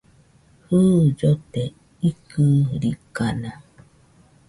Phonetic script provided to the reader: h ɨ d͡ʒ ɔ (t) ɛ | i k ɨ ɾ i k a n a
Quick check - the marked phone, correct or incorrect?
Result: correct